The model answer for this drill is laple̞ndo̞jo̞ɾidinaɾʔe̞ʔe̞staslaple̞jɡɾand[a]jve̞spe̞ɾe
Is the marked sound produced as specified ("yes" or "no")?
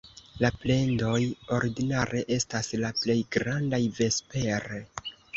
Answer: yes